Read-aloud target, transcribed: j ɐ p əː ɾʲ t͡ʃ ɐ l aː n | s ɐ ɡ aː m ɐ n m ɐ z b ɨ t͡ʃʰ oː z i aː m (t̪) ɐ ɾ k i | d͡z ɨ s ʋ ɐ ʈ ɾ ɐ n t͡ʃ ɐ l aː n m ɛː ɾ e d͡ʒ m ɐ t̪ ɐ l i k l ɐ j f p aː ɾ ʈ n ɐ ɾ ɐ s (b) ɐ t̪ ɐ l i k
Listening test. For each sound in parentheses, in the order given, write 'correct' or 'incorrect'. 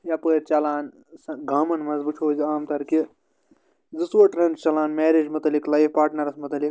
correct, incorrect: m

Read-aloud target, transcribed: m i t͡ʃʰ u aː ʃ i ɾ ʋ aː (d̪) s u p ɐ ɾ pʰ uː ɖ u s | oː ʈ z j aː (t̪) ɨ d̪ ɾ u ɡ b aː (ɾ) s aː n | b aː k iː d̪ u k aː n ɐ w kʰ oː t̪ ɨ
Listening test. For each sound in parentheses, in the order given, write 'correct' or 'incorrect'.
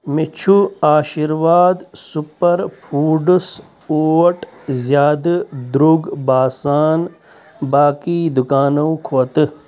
correct, incorrect: d̪, incorrect: none

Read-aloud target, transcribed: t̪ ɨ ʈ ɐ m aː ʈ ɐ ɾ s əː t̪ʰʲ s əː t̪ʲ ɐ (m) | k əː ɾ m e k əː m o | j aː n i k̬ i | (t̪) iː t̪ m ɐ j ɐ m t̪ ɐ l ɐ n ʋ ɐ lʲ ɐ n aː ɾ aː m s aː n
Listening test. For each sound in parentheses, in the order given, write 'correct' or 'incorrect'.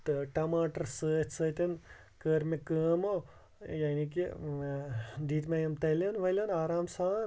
incorrect: n, incorrect: d̪

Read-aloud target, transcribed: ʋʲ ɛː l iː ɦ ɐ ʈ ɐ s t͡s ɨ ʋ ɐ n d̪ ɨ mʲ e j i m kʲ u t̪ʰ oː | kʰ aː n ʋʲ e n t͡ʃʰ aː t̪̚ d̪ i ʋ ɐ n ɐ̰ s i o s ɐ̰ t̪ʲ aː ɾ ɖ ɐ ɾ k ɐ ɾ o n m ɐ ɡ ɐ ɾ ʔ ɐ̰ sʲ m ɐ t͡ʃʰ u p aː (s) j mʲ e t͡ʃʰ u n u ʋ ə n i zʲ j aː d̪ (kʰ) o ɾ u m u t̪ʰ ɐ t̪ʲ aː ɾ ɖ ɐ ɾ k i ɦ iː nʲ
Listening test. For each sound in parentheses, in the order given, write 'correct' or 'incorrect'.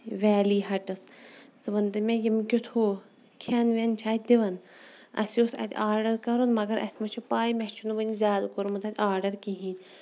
incorrect: none, incorrect: k

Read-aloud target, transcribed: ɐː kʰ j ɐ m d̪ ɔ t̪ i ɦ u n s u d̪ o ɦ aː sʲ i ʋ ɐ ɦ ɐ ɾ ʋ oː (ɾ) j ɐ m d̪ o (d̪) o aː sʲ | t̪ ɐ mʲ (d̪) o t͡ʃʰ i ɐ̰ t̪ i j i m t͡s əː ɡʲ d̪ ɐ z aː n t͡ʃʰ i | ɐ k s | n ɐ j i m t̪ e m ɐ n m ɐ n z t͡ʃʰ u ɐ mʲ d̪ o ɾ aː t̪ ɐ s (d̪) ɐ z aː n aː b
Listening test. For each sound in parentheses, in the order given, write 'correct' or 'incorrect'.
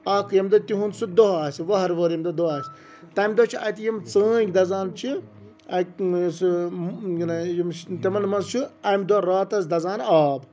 correct, correct, correct, correct

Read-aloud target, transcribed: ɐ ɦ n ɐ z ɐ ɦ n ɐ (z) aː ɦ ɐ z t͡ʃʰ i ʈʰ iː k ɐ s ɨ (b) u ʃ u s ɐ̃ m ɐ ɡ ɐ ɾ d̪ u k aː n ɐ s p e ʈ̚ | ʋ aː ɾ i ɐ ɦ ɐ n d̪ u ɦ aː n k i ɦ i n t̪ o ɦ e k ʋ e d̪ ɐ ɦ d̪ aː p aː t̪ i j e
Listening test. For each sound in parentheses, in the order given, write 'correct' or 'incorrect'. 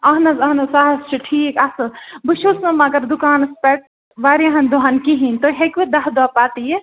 incorrect: s, correct

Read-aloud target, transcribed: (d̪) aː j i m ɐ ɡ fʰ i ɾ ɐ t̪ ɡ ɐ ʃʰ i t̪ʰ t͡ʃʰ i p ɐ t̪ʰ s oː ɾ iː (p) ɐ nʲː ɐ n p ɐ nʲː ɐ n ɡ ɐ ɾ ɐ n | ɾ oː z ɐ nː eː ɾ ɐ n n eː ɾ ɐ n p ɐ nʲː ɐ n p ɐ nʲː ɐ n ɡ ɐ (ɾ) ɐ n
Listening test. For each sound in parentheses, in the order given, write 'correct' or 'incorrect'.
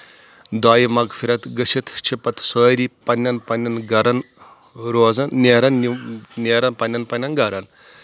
correct, correct, correct

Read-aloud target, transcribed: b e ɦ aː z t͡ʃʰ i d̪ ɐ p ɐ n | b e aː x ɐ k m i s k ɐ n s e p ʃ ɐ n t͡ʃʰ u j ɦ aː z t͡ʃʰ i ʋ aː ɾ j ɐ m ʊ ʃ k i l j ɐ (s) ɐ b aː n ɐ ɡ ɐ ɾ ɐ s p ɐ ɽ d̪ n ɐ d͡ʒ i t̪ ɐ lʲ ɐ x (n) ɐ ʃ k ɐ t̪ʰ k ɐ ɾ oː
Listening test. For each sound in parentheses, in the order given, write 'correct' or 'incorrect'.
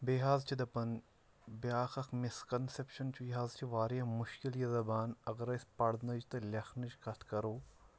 incorrect: z, correct

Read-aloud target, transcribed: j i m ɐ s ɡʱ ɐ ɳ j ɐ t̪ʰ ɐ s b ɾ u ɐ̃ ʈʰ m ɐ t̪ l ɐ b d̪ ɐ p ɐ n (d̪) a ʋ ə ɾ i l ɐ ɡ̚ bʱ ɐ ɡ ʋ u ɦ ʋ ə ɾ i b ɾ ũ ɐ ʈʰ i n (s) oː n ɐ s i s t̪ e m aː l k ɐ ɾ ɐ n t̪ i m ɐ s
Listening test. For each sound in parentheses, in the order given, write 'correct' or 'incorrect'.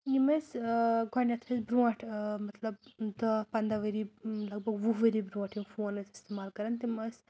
correct, incorrect: f

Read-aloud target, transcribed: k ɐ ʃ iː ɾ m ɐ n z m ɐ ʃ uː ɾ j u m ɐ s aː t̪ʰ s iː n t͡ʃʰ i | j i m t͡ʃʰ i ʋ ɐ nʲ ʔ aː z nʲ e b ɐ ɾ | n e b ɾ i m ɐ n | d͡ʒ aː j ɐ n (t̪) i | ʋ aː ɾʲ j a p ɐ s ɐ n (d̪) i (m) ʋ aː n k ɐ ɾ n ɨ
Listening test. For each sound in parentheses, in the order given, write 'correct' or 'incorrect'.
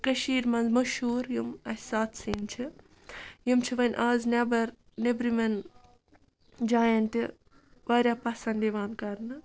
correct, correct, incorrect: none

